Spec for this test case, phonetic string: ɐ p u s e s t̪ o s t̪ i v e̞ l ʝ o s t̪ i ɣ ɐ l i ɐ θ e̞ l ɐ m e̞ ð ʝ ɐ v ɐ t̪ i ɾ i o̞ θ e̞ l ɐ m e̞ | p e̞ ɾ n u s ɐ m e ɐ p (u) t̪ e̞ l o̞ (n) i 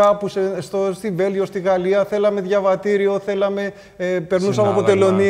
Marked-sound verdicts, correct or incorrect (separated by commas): incorrect, correct